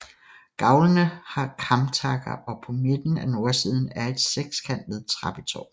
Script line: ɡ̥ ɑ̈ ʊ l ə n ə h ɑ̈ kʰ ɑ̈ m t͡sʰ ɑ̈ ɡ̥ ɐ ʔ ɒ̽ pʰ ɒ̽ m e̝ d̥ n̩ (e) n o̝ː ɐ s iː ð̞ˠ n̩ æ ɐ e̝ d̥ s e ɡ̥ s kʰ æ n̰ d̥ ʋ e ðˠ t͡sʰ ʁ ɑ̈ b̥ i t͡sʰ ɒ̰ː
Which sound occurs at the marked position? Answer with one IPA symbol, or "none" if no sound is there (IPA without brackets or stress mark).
æ